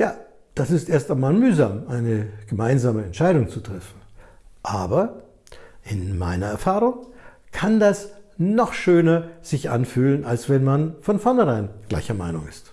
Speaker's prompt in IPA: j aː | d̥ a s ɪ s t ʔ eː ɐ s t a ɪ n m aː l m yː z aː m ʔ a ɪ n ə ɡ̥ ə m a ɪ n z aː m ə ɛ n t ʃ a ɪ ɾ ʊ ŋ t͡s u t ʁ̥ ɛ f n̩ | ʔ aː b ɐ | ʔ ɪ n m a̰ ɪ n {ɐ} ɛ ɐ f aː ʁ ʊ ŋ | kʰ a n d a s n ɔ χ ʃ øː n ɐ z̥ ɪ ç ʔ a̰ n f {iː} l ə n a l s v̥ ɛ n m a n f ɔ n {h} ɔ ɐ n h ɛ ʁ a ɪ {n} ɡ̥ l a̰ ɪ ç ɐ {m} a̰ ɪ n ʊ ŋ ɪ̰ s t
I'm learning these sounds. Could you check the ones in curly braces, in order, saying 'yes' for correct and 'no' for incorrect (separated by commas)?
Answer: yes, no, no, yes, yes